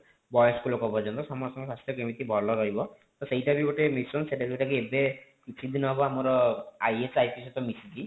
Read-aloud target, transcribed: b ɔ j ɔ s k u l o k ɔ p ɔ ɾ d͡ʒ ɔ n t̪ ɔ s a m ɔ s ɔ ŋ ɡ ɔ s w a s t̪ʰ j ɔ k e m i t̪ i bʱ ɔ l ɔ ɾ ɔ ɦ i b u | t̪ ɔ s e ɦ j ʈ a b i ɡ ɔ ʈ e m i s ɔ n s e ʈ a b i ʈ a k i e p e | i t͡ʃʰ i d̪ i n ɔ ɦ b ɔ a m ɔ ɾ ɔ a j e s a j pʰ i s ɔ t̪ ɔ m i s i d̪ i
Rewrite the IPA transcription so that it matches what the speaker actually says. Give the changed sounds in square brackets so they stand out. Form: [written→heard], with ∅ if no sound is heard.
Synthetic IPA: b ɔ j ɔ s k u l o k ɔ p ɔ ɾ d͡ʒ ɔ n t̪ ɔ s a m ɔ s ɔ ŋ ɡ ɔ s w a s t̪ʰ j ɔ k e m i t̪ i bʱ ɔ l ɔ ɾ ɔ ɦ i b [u→ɔ] | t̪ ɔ s e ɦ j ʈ a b i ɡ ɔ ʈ e m i s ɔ n s e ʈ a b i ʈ a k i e [p→b] e | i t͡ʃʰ i d̪ i n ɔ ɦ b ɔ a m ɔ ɾ ɔ a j e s a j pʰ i s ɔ t̪ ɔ m i s i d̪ i